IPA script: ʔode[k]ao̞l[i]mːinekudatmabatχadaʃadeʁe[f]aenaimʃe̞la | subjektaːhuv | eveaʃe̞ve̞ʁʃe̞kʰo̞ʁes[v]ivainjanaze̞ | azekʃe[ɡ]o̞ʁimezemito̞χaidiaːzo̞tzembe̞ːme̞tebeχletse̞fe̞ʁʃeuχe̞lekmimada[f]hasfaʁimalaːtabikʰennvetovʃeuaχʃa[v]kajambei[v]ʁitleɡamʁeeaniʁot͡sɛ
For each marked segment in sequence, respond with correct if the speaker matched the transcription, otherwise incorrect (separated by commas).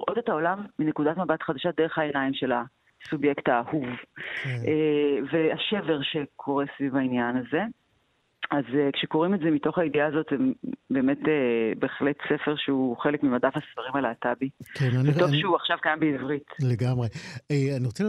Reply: incorrect, incorrect, incorrect, correct, incorrect, correct, correct, correct